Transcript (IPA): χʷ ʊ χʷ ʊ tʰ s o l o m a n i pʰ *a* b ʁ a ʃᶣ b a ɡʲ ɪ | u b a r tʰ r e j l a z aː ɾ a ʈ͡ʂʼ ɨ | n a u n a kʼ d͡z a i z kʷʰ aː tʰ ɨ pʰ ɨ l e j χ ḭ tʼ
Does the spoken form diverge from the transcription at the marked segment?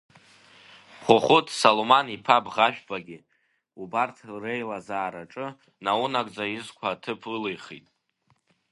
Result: no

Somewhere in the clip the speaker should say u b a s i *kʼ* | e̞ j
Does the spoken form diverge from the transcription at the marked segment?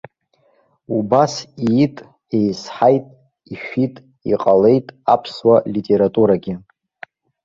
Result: yes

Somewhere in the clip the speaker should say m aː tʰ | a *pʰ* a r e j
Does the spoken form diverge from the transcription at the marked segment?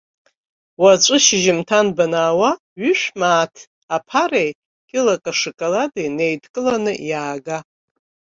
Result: no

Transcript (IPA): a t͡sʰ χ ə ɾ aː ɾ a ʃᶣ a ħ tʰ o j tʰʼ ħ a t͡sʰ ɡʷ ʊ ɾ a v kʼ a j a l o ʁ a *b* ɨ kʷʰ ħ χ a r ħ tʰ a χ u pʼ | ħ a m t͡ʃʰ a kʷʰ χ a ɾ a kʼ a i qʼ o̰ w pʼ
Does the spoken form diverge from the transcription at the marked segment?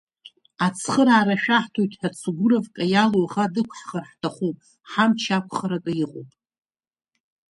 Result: yes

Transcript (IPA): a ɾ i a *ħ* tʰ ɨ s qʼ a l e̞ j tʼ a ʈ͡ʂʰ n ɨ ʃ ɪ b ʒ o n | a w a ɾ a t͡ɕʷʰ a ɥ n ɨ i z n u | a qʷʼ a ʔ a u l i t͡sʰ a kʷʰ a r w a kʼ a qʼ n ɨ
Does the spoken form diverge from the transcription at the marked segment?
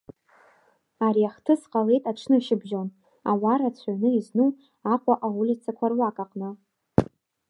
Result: yes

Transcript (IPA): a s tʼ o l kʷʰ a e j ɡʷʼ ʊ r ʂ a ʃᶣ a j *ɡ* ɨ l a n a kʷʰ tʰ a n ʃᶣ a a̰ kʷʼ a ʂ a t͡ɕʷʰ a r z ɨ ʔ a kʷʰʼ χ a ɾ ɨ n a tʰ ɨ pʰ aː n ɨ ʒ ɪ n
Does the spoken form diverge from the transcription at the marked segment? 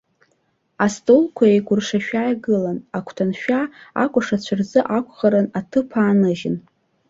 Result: no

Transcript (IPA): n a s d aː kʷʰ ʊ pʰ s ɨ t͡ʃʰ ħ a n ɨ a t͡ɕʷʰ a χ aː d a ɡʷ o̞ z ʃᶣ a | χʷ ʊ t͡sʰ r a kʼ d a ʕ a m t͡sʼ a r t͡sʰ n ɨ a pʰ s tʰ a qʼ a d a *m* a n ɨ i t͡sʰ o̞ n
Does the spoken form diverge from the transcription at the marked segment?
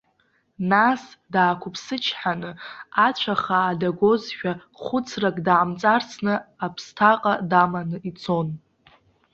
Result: no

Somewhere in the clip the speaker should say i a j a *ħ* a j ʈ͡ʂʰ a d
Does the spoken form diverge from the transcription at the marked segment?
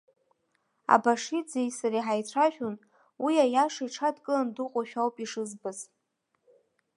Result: yes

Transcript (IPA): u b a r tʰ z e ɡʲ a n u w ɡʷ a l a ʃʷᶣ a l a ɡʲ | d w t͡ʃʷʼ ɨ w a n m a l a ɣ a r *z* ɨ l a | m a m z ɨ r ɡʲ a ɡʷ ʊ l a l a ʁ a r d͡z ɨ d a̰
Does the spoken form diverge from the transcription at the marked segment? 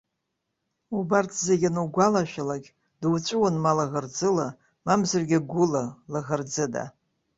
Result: yes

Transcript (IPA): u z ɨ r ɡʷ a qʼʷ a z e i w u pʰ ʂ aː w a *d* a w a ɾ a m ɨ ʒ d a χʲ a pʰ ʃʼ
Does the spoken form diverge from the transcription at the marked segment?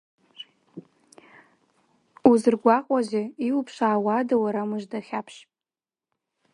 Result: no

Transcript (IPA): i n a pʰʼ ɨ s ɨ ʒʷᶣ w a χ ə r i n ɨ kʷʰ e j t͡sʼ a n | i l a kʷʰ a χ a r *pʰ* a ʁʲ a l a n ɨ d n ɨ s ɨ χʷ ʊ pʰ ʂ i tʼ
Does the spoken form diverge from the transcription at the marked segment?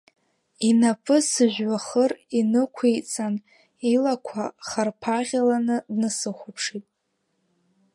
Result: no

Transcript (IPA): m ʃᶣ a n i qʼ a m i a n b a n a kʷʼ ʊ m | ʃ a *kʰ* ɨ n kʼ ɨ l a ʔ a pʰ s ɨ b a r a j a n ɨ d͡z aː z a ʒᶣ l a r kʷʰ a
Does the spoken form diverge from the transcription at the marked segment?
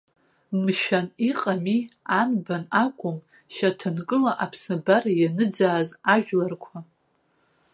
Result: yes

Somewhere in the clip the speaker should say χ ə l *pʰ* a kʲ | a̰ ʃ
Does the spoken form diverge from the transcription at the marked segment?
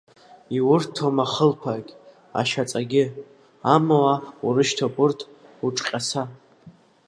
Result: no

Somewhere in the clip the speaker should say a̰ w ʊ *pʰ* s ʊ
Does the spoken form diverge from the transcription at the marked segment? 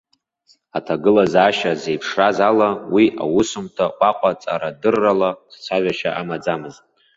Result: yes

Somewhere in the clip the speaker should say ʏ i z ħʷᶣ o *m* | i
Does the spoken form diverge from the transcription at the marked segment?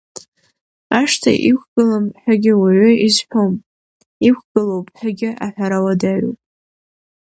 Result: no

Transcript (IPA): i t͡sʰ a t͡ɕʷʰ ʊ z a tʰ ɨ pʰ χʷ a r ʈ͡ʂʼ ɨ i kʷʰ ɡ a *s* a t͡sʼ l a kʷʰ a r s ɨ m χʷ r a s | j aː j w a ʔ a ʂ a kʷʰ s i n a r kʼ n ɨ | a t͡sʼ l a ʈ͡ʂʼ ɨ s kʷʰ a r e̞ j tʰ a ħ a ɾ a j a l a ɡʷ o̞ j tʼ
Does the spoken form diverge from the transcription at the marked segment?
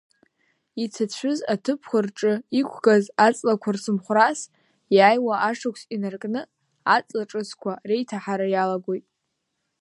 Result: yes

